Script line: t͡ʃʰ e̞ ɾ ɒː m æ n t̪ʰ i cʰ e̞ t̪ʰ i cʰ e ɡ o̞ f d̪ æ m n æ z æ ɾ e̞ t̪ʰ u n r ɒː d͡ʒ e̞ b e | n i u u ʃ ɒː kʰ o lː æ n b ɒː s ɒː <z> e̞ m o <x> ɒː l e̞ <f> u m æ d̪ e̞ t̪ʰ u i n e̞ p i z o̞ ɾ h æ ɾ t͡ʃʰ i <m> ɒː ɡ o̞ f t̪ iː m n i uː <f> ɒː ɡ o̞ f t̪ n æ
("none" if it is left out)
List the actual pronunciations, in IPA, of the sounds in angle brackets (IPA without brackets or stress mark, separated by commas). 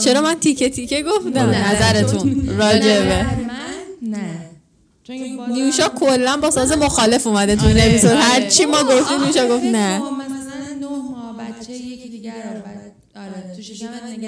z, x, f, m, ʃ